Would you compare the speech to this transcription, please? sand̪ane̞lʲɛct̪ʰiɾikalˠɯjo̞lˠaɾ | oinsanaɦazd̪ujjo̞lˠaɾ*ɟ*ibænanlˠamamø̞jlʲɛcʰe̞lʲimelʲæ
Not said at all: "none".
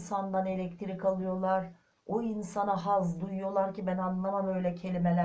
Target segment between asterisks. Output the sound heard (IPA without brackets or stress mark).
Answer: c